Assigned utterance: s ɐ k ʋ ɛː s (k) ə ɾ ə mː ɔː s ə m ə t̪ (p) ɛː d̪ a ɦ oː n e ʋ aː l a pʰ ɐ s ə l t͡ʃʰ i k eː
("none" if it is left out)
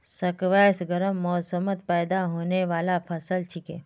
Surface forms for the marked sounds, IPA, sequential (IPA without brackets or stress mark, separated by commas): ɡ, p